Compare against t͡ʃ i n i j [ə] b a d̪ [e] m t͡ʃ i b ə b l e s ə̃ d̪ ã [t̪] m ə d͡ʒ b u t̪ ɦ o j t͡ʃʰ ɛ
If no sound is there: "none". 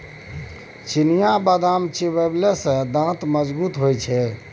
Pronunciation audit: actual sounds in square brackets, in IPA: a, a, t̪

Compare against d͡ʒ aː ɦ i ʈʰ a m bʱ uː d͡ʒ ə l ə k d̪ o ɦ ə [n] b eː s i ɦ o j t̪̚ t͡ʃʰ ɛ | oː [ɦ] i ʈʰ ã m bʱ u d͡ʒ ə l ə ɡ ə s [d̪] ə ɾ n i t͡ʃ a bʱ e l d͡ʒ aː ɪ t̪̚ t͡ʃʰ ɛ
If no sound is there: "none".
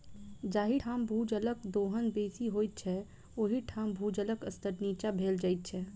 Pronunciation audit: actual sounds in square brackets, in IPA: n, ɦ, t̪

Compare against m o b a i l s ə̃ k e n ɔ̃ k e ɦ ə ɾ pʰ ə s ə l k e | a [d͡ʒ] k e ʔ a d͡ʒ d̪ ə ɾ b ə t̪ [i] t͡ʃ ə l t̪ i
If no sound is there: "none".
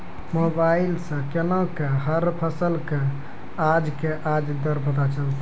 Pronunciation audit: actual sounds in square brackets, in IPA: d͡ʒ, a

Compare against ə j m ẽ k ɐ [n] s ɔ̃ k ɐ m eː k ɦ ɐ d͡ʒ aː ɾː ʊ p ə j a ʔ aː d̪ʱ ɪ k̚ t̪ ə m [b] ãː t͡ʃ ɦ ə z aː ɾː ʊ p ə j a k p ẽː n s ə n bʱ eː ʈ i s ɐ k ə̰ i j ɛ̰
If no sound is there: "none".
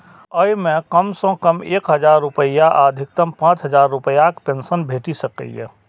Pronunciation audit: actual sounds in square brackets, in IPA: m, p

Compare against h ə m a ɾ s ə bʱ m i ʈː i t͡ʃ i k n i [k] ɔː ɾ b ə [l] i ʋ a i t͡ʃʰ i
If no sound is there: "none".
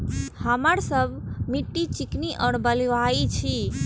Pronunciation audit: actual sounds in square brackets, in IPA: ʔ, l

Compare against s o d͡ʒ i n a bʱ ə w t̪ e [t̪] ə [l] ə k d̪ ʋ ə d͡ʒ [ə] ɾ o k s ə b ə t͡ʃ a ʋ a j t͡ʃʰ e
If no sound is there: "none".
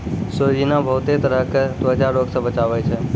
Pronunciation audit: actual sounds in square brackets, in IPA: t̪, ɾ, a

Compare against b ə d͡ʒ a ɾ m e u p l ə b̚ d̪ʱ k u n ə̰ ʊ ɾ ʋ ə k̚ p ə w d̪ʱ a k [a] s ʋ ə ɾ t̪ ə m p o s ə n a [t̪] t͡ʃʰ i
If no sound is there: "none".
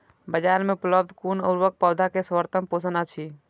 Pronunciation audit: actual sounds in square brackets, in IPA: e, none

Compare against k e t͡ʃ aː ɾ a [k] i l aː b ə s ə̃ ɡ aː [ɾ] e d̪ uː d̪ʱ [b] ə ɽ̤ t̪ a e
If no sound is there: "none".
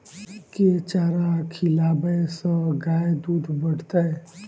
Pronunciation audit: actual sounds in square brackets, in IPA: kʰ, none, b

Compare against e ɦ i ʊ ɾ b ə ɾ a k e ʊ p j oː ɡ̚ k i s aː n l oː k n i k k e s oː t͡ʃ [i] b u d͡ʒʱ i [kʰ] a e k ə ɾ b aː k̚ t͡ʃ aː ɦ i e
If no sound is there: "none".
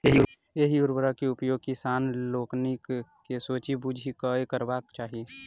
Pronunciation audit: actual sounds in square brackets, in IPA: i, k

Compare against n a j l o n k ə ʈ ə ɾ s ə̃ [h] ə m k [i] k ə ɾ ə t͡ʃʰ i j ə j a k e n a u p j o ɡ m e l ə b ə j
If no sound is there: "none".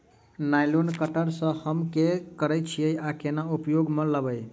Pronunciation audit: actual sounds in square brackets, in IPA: h, e

